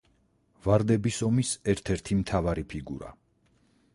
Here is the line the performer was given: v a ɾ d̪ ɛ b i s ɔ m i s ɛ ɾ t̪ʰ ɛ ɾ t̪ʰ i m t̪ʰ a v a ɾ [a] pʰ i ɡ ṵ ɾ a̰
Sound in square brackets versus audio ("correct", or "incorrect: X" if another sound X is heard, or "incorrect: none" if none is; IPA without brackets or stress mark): incorrect: i